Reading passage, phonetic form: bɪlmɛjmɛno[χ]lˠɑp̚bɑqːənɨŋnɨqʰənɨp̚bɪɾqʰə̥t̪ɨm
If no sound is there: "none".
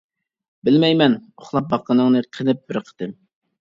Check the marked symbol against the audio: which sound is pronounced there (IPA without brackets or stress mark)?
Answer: χ